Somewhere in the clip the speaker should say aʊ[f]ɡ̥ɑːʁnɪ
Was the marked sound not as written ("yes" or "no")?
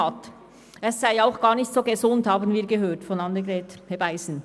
yes